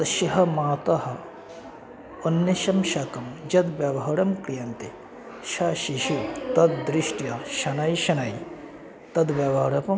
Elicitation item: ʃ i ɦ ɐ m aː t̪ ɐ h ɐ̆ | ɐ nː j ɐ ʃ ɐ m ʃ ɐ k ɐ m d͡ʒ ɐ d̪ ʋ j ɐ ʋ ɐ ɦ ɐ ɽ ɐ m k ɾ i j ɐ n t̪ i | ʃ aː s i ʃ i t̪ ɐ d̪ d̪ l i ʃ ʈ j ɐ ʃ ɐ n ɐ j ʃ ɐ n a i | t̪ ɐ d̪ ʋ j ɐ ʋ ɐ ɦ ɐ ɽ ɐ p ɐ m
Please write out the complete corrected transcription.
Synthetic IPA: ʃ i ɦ ɐ m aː t̪ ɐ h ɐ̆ | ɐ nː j ɐ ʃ ɐ m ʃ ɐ k ɐ m d͡ʒ ɐ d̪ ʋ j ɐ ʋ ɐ ɦ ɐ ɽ ɐ m k ɾ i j ɐ n t̪ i | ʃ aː ʃ i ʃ i t̪ ɐ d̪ d̪ ɾ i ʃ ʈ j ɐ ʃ ɐ n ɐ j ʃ ɐ n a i | t̪ ɐ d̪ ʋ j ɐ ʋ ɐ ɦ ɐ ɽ ɐ p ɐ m